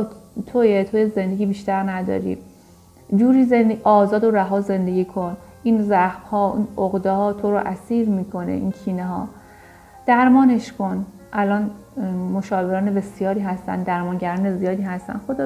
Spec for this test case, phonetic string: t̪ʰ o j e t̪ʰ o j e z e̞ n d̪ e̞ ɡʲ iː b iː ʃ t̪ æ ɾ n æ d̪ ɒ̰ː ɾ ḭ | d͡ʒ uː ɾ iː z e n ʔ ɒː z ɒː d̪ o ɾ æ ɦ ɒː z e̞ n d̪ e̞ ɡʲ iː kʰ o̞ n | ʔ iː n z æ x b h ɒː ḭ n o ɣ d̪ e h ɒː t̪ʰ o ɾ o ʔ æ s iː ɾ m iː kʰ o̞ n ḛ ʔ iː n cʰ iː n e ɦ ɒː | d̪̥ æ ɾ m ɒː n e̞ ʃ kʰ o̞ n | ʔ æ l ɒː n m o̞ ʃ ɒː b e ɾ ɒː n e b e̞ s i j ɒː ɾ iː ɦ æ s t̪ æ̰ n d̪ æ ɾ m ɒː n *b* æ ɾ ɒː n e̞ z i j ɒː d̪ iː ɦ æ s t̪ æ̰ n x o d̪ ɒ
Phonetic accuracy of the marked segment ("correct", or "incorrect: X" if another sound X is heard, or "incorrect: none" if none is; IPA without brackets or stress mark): incorrect: ɟ